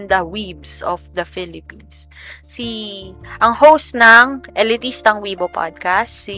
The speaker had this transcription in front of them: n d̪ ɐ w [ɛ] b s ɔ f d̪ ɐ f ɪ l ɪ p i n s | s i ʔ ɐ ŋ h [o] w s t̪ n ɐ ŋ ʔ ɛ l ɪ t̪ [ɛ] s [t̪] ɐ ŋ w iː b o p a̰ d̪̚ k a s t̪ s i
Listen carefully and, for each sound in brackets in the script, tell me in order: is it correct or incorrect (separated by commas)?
incorrect, correct, incorrect, correct